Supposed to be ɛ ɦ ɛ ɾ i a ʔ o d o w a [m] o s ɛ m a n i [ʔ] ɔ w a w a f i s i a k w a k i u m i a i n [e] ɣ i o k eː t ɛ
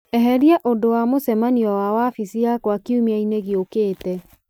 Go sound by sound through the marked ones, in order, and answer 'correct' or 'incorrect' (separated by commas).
correct, incorrect, correct